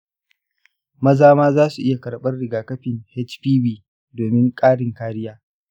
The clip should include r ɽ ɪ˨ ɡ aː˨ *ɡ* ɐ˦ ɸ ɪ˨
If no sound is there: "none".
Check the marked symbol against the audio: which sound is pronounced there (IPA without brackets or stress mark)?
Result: k